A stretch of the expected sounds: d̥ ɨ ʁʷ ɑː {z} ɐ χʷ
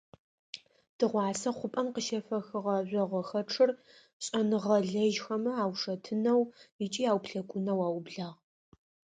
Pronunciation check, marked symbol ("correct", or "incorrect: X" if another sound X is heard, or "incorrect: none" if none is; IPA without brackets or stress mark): incorrect: s